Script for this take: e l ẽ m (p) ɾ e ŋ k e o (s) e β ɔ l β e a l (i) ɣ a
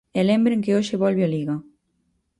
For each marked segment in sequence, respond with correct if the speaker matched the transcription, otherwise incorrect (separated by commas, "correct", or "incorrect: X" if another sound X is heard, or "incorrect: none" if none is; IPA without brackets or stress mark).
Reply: incorrect: b, incorrect: ʃ, correct